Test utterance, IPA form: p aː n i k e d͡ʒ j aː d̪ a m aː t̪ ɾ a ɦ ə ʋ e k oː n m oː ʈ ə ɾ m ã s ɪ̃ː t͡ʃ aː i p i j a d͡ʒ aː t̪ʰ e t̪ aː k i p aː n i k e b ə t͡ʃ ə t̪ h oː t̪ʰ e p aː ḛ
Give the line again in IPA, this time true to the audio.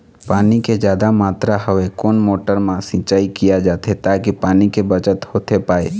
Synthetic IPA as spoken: p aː n i k e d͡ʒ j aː d̪ a m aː t̪ ɾ a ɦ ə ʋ e k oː n m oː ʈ ə ɾ m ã s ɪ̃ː t͡ʃ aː i k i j a d͡ʒ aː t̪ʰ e t̪ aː k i p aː n i k e b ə t͡ʃ ə t̪ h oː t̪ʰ e p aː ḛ